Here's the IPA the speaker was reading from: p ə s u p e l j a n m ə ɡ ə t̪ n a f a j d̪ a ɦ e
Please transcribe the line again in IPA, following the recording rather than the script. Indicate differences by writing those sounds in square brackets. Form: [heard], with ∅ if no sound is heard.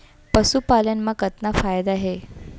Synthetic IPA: p ə s u p [a] l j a n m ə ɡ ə t̪ n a f a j d̪ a ɦ e